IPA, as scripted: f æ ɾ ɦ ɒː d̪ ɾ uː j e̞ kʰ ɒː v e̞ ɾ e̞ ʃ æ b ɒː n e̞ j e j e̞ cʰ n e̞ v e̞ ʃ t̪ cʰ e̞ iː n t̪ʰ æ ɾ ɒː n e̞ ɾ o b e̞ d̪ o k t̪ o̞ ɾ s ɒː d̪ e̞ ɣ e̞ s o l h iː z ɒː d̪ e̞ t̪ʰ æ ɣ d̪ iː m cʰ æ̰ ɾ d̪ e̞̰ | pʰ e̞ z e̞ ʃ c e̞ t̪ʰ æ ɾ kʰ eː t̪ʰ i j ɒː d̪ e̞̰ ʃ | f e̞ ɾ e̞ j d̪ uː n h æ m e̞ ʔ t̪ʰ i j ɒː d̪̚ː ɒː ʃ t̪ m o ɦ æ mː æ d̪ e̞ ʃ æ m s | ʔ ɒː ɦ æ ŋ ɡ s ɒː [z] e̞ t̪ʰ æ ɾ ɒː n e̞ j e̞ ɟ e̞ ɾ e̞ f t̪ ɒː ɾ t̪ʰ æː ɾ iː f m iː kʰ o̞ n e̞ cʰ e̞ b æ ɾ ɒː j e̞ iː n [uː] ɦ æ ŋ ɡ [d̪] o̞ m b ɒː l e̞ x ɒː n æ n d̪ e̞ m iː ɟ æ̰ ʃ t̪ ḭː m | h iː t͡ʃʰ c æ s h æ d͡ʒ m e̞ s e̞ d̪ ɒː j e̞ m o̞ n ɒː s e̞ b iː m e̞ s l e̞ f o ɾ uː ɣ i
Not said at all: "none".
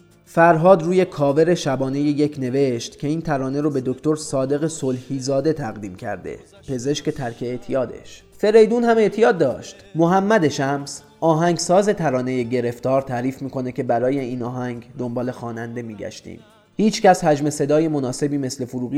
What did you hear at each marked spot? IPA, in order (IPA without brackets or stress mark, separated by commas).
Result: z, ɒː, d̪